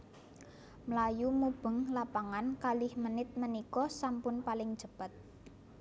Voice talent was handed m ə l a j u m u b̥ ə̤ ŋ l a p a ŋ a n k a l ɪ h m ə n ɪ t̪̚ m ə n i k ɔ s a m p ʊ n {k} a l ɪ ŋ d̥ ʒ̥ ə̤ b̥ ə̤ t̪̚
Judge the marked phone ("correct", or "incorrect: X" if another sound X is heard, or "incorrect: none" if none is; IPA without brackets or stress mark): incorrect: p